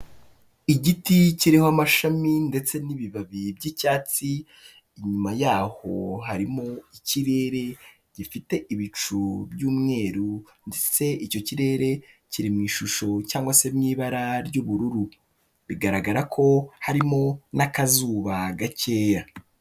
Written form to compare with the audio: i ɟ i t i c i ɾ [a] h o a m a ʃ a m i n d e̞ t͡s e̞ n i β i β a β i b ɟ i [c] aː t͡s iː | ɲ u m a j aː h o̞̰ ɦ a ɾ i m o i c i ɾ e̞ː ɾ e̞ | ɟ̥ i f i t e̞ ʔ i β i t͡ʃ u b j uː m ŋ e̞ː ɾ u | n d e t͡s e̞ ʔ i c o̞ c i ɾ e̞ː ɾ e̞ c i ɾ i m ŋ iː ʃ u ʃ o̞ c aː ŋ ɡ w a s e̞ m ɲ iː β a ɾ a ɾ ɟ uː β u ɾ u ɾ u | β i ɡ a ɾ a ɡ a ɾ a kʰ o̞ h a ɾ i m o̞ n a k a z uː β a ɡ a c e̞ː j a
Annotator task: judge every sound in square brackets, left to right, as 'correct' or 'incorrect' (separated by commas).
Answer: incorrect, correct